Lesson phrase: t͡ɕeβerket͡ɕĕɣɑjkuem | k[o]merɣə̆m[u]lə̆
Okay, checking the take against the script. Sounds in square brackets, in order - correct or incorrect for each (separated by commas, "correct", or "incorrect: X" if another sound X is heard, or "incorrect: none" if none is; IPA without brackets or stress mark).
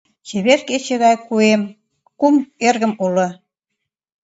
incorrect: u, correct